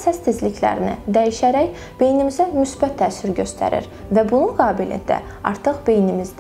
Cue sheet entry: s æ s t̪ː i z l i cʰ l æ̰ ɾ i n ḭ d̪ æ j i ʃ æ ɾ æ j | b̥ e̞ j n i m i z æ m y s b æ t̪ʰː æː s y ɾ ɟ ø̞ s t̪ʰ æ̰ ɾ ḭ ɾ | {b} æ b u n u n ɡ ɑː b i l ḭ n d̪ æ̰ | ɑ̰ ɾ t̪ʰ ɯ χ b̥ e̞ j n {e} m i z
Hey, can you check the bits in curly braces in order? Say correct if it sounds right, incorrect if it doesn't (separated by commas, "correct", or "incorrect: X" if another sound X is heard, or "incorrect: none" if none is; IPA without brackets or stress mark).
incorrect: v, incorrect: i